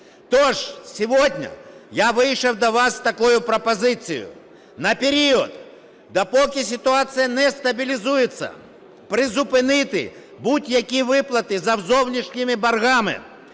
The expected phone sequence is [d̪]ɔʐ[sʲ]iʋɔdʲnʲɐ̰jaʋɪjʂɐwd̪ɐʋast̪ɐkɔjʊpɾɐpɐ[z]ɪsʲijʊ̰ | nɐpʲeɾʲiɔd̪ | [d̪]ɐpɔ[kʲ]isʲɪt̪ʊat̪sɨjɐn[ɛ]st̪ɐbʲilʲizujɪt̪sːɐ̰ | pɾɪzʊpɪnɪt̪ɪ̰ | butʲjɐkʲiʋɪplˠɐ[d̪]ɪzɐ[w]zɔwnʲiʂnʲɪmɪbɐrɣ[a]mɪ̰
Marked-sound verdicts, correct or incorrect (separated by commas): incorrect, correct, correct, correct, correct, correct, incorrect, correct, correct